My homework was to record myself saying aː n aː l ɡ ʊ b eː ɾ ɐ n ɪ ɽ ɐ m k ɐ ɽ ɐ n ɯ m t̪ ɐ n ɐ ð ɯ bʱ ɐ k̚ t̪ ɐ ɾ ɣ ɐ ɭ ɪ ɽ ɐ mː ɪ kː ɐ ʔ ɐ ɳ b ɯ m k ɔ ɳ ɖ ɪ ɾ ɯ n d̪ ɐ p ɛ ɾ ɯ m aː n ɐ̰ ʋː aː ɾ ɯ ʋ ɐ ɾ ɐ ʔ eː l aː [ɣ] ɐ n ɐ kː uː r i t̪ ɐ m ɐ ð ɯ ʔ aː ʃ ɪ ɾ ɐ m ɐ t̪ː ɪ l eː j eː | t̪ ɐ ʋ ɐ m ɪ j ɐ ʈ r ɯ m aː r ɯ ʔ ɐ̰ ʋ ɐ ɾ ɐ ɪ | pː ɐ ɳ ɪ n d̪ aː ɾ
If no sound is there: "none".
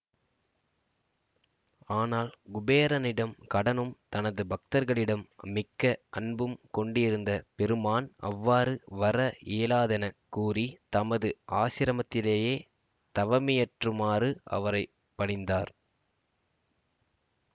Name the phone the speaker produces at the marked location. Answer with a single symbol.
ð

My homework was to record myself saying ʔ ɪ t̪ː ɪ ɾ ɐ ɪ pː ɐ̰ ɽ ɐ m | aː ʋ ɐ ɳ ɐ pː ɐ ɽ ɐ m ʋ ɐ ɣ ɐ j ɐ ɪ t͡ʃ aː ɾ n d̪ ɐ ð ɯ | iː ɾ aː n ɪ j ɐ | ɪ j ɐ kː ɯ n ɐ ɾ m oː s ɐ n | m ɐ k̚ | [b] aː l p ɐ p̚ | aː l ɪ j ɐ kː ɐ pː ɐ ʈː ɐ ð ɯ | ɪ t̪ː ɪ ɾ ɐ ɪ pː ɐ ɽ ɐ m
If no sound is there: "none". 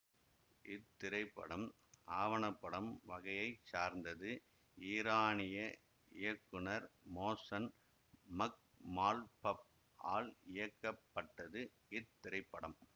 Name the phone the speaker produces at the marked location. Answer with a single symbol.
m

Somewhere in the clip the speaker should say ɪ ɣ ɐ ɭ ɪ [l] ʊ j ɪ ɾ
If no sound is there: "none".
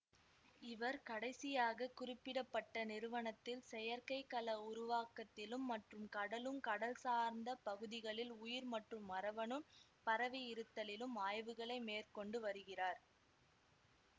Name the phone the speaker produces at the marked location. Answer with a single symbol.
l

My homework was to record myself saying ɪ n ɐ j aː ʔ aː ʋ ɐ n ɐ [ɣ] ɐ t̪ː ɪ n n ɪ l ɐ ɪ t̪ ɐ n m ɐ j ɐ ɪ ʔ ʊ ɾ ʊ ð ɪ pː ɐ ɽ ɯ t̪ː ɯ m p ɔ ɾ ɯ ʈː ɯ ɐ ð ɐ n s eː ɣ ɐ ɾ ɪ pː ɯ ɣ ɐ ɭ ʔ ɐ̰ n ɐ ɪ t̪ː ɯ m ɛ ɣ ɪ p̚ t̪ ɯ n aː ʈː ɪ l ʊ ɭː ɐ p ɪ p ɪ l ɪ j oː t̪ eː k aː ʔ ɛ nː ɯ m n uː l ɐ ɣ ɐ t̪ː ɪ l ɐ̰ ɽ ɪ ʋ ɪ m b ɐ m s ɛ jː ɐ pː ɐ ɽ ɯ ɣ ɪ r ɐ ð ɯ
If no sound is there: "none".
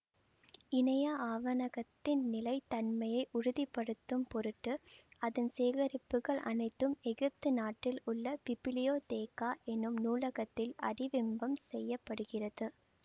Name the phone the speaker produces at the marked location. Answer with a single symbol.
ɣ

